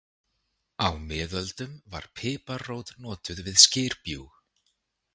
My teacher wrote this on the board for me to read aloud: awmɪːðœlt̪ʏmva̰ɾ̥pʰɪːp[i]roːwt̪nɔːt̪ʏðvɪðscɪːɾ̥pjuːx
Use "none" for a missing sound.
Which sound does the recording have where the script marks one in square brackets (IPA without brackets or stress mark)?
a